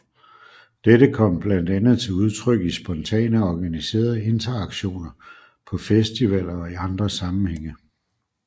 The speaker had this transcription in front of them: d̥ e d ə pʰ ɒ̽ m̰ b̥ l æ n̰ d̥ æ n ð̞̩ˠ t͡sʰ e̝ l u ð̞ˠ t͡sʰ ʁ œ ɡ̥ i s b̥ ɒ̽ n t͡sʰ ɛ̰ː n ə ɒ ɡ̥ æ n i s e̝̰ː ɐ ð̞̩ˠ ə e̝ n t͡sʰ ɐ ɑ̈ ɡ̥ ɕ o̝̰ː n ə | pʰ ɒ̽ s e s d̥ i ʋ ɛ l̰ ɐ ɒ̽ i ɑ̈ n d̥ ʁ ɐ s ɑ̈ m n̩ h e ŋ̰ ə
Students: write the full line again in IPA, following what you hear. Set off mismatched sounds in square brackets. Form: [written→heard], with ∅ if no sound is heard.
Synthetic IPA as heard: d̥ e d ə [pʰ→kʰ] ɒ̽ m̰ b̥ l æ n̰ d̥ æ n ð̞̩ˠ t͡sʰ e̝ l u ð̞ˠ t͡sʰ ʁ œ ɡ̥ i s b̥ ɒ̽ n t͡sʰ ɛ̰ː n ə ɒ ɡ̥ æ n i s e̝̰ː ɐ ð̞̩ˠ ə e̝ n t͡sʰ ɐ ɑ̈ ɡ̥ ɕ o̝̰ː n [ə→ɐ] | pʰ ɒ̽ [s→f] e s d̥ i ʋ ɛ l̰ ɐ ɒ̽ i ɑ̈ n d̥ ʁ ɐ s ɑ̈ m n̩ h e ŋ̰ ə